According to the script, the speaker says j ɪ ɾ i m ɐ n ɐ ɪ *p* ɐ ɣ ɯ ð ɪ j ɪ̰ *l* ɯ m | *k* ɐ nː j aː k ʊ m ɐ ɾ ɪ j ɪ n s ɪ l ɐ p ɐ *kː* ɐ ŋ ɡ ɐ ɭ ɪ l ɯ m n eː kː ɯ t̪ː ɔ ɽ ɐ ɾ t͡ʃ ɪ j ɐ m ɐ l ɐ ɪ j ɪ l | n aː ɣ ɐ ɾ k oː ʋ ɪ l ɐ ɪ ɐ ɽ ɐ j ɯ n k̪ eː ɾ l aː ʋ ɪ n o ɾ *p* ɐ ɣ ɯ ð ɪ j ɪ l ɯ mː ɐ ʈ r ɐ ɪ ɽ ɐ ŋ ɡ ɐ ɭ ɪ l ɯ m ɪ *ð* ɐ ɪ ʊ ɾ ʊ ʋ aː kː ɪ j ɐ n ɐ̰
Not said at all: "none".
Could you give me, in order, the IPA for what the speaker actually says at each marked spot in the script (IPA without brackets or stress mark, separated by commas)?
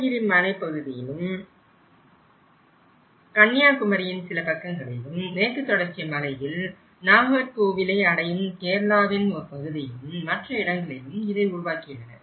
p, l, k, kː, p, ð